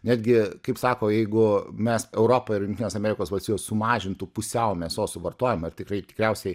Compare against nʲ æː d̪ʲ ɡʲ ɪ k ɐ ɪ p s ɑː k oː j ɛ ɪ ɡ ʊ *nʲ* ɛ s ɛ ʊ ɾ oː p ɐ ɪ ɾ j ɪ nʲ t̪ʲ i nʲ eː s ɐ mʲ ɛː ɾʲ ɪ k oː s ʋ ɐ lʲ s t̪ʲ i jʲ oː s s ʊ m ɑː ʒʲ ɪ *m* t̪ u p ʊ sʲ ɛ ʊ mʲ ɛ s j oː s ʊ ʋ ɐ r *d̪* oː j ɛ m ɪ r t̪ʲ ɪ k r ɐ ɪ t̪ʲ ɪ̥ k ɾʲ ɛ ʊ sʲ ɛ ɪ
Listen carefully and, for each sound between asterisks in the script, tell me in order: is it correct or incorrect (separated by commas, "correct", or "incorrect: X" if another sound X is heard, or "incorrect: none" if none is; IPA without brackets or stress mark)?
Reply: incorrect: mʲ, incorrect: n, incorrect: t̪